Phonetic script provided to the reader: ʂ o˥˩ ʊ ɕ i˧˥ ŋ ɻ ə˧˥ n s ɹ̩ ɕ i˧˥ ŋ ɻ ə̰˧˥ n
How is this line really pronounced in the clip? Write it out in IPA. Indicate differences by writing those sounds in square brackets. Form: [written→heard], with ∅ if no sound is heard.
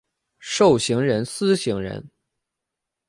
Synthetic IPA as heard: ʂ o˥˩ ʊ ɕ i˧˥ ŋ ɻ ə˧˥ n s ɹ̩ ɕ i˧˥ ŋ ɻ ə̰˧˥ n